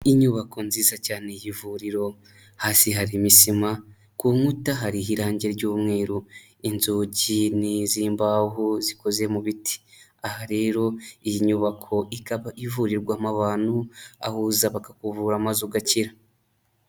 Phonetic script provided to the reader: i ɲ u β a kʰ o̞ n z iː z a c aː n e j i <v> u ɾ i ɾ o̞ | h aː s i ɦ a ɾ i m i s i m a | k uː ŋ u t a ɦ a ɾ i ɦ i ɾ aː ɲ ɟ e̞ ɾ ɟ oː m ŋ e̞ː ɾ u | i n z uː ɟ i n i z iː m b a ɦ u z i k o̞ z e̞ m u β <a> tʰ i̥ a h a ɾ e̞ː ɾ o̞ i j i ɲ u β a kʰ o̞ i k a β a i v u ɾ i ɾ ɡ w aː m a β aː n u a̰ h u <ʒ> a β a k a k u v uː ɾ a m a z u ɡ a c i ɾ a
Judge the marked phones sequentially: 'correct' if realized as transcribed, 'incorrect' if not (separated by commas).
correct, incorrect, incorrect